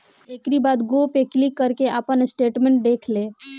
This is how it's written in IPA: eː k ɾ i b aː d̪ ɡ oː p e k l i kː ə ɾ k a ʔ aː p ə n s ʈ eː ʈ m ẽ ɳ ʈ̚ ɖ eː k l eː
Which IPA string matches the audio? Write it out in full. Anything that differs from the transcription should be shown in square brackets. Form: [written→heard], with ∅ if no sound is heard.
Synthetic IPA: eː k ɾ i b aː d̪ ɡ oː p e k l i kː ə ɾ k [a→e] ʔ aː p ə n s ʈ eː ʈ m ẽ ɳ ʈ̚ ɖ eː [k→kʰ] l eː